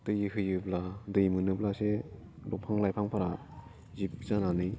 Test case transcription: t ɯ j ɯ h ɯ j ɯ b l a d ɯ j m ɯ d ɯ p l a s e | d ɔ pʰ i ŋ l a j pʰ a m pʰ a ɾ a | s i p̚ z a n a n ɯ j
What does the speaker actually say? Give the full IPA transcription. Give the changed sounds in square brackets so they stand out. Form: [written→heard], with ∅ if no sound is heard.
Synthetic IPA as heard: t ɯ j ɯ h ɯ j ɯ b l a d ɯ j m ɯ [d→n] ɯ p l a s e | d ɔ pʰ [i→a] ŋ l a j pʰ a [m→ŋ] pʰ a ɾ a | [s→z] i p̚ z a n a n ɯ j